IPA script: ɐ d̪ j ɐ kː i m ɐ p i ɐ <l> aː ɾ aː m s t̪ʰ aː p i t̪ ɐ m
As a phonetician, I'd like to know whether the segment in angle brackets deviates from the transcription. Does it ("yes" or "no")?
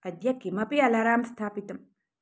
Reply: no